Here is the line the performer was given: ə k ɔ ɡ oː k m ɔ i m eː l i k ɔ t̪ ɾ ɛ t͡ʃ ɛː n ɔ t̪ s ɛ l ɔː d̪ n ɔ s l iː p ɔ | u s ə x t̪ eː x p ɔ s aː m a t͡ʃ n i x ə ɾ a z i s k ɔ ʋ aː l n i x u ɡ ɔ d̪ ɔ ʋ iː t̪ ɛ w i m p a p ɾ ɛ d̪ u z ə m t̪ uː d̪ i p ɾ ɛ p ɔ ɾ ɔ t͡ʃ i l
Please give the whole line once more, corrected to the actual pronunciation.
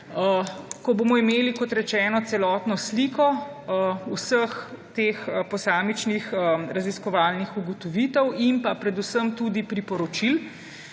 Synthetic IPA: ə k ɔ b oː m ɔ i m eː l i k ɔ t̪ ɾ ɛ t͡ʃ ɛː n ɔ t̪ s ɛ l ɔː t̪ n ɔ s l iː k ɔ | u s ə x t̪ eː x p ɔ s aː m i t͡ʃ n i x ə ɾ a z i s k ɔ ʋ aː l n i x u ɡ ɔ t̪ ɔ ʋ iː t̪ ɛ w i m p a p ɾ ɛ d̪ u s ə m t̪ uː d̪ i p ɾ i p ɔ ɾ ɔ t͡ʃ i l